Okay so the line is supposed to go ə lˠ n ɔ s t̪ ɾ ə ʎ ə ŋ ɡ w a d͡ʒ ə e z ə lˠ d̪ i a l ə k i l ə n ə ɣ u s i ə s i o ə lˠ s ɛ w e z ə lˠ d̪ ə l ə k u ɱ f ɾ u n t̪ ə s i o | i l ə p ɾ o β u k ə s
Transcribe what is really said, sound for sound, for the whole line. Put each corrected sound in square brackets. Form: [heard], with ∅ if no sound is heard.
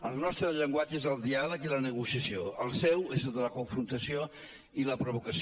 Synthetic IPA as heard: ə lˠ n ɔ s t̪ ɾ ə ʎ ə ŋ ɡ w a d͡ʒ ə e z ə lˠ d̪ i a l ə k i l ə n ə ɣ u s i ə s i o ə lˠ s ɛ w e z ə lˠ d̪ ə l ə k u ɱ f ɾ u n t̪ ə s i o | i l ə p ɾ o β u k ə s